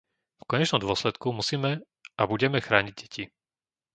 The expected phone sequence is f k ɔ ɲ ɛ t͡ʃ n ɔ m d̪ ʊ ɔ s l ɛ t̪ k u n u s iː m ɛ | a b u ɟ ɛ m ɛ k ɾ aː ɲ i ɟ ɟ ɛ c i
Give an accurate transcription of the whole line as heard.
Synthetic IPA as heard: f k ɔ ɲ ɛ t͡ʃ n ɔ m d̪ ʊ ɔ s l ɛ t̪ k u m u s iː m ɛ | a b u ɟ ɛ m ɛ x ɾ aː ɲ i ɟ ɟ ɛ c i

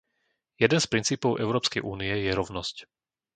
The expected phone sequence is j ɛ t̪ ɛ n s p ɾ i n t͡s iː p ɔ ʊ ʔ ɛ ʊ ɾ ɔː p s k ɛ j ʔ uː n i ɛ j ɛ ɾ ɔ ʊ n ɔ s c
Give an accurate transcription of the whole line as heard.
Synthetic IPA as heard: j ɛ d̪ ɛ n s p ɾ i n t͡s iː p ɔ ʊ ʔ ɛ ʊ ɾ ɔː p s k ɛ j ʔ uː n i ɛ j ɛ ɾ ɔ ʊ n ɔ s c

